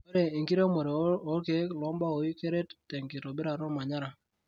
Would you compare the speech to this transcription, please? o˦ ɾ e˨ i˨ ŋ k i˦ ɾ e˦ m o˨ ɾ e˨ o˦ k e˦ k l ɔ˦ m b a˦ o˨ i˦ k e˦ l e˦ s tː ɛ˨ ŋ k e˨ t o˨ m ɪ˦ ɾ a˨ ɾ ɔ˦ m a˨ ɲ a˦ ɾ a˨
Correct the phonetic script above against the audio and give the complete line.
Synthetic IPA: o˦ ɾ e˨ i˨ ŋ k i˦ ɾ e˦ m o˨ ɾ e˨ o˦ k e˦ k l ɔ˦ m b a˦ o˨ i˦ k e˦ ɾ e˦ t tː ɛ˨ ŋ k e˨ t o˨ b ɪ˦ ɾ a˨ ɾ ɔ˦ m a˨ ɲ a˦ ɾ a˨